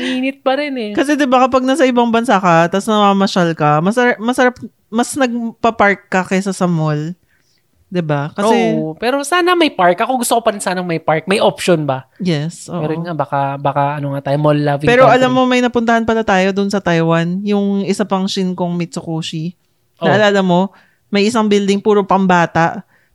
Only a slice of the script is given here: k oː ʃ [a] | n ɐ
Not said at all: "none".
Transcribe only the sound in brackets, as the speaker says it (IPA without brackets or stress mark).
i